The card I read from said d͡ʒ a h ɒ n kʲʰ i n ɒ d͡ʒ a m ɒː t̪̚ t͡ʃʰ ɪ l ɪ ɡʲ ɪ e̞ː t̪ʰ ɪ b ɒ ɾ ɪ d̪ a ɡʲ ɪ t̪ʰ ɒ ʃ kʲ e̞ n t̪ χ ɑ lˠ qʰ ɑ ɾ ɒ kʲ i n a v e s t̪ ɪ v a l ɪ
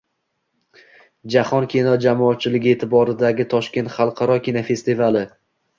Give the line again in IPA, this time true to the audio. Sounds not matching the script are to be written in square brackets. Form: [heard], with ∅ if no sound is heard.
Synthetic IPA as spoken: d͡ʒ a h ɒ n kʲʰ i n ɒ d͡ʒ a m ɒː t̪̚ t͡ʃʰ ɪ l ɪ ɡʲ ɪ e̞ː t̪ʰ ɪ b ɒ ɾ ɪ d̪ a ɡʲ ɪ t̪ʰ ɒ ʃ kʲ e̞ n t̪ χ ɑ lˠ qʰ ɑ ɾ ɒ kʲ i n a [f] e s t̪ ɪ v a l ɪ